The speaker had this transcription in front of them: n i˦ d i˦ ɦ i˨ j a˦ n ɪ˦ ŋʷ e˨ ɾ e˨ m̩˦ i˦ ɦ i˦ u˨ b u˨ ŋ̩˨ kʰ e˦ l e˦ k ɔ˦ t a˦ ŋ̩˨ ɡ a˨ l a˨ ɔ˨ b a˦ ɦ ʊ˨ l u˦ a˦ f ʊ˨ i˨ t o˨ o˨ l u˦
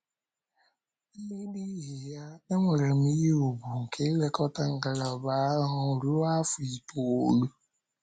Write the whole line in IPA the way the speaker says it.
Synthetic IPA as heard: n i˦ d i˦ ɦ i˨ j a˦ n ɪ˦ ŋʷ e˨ ɾ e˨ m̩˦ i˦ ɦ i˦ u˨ b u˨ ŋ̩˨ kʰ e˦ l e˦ k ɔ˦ t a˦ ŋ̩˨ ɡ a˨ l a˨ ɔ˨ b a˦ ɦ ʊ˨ ɾ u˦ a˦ f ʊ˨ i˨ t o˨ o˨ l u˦